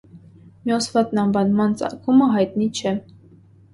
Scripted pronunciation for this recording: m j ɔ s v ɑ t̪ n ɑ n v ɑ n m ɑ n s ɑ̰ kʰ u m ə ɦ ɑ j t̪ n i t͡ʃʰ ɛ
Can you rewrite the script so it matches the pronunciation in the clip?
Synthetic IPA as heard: m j ɔ s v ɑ t̪ n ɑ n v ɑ n m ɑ n t͡s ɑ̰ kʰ u m ə ɦ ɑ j t̪ n i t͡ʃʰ ɛ

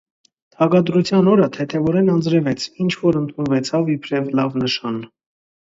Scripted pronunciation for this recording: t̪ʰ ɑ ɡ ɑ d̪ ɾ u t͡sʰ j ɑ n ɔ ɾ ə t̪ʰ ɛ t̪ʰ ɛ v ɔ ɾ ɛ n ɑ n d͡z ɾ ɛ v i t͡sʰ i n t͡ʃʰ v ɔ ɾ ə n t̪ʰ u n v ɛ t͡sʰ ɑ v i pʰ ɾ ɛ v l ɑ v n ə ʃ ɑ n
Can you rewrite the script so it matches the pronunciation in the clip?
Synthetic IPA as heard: t̪ʰ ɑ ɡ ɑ d̪ ɾ u t͡sʰ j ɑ n ɔ ɾ ə t̪ʰ ɛ t̪ʰ ɛ v ɔ ɾ ɛ n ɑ n d͡z ɾ ɛ v ɛ t͡sʰ i n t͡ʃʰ v ɔ ɾ ə n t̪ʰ u n v ɛ t͡sʰ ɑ v i pʰ ɾ ɛ v l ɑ v n ə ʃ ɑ n

